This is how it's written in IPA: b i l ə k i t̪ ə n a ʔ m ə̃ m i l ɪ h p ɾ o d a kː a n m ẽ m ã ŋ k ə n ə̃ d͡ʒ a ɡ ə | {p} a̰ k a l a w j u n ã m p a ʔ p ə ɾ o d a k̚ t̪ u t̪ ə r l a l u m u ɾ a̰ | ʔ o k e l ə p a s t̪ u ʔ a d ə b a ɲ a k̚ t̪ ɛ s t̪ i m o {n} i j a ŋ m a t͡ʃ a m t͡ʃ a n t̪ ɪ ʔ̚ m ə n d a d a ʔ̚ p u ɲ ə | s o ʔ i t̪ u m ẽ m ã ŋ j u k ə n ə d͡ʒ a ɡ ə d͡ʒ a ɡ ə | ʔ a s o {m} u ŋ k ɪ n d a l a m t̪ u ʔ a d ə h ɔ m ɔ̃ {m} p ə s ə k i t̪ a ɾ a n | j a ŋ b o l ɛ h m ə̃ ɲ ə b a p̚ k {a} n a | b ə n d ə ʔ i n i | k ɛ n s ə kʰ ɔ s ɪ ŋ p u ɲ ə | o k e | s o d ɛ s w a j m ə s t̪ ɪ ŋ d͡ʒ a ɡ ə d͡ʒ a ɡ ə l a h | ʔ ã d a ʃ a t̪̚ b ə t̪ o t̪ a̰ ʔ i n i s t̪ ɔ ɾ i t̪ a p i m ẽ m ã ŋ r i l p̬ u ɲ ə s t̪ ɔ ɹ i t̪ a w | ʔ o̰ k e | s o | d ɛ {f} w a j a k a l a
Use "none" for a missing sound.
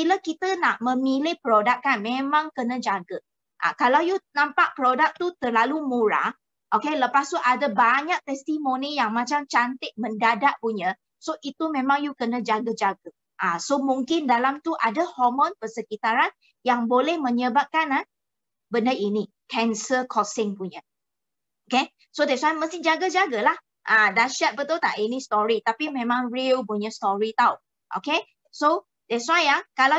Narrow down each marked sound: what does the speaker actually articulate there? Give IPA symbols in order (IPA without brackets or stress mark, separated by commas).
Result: ʔ, n, m, n, a, s